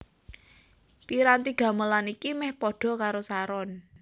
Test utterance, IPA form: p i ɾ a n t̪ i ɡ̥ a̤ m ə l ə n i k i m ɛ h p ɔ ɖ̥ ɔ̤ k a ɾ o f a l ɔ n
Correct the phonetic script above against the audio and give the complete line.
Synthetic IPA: p i ɾ a n t̪ i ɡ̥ a̤ m ə l a n i k i m ɛ h p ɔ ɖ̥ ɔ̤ k a ɾ o s a ɾ ɔ n